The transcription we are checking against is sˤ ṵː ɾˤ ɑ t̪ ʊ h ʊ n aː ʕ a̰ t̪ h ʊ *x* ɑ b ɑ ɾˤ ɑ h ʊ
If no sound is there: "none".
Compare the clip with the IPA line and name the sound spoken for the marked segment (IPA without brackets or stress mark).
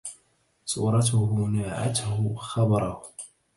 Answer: x